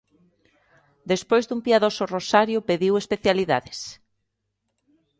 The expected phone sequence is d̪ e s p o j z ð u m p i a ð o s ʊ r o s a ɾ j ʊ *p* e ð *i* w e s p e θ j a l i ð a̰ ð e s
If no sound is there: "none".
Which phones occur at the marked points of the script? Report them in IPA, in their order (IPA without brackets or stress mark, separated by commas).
p, i